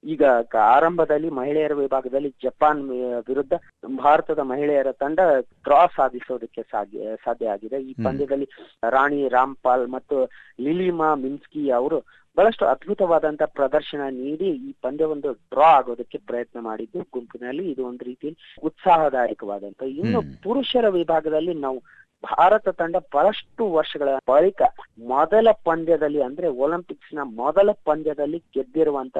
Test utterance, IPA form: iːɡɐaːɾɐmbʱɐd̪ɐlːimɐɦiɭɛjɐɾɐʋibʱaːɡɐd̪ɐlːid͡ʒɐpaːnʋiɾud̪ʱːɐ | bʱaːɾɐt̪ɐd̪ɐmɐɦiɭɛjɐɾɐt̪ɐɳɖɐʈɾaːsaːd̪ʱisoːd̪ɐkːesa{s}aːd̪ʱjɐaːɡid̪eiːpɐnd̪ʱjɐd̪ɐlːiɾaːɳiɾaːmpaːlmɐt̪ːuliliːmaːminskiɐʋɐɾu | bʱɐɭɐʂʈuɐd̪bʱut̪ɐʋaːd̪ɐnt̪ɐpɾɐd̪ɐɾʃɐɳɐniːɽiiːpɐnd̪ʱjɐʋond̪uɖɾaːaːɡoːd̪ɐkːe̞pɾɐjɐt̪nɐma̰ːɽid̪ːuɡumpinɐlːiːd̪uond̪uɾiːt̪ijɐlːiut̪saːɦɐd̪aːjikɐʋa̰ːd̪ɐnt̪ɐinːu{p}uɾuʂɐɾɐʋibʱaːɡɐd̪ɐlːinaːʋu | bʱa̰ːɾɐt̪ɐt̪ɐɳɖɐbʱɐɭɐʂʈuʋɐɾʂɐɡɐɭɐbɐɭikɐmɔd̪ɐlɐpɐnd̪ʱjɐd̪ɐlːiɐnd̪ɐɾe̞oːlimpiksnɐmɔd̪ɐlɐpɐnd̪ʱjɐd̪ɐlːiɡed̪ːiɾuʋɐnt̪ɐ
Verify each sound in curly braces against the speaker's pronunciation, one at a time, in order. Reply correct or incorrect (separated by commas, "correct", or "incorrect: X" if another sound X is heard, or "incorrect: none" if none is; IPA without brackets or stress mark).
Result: correct, correct